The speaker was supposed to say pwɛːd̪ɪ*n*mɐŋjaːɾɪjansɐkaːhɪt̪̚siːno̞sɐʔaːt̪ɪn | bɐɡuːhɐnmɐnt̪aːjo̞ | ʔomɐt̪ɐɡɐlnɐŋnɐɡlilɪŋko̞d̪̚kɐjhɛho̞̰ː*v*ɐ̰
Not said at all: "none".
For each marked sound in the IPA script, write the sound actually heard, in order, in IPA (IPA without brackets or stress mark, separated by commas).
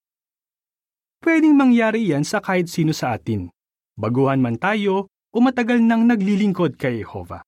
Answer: ŋ, v